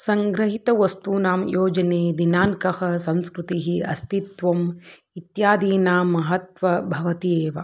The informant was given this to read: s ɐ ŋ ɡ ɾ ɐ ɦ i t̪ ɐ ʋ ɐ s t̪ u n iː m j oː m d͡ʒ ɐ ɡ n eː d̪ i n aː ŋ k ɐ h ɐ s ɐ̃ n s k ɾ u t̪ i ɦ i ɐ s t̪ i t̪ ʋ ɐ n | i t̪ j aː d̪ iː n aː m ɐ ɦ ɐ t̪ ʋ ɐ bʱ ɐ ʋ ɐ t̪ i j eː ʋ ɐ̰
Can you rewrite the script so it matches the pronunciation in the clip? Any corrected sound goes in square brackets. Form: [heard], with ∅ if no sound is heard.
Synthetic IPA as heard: s ɐ ŋ ɡ ɾ ɐ ɦ i t̪ ɐ ʋ ɐ s t̪ u n [aː] m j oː [∅] d͡ʒ ɐ [∅] n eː d̪ i n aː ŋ k ɐ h ɐ s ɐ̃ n s k ɾ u t̪ i ɦ i ɐ s t̪ i t̪ ʋ ɐ [m] | i t̪ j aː d̪ iː n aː m ɐ ɦ ɐ t̪ ʋ ɐ bʱ ɐ ʋ ɐ t̪ i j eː ʋ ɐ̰